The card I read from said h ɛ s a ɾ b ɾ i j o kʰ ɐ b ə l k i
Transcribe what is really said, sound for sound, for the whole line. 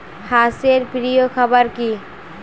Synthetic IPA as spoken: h a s e ɾ p ɾ i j o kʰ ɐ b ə ɾ k i